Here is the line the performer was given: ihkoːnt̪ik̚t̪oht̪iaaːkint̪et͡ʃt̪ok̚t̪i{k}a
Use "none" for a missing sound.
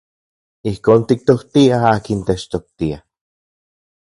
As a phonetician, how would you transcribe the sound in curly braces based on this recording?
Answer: none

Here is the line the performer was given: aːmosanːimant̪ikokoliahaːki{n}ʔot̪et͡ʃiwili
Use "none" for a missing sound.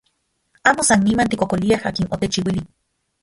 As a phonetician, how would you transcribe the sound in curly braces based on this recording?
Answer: n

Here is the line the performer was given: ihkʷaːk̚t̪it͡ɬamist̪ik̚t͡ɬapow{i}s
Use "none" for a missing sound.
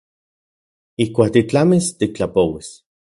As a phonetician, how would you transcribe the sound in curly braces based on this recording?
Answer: i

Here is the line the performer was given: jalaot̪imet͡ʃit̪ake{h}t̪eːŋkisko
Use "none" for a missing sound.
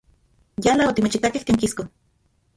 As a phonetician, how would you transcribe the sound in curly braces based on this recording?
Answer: h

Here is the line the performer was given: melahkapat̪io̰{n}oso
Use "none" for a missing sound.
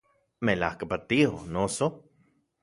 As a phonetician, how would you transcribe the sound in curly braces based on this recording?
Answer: n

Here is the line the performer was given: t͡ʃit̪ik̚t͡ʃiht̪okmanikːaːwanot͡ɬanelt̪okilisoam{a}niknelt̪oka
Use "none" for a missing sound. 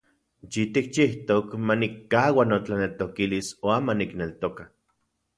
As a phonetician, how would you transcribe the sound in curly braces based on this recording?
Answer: a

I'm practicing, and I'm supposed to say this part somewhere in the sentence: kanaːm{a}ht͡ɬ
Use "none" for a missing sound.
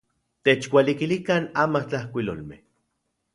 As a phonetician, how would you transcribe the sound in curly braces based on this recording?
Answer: a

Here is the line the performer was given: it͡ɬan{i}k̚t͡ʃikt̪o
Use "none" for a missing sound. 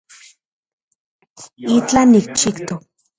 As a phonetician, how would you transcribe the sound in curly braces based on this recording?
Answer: i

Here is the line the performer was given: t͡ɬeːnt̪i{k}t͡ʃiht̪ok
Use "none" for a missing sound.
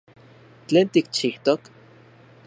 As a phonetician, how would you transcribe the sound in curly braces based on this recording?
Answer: k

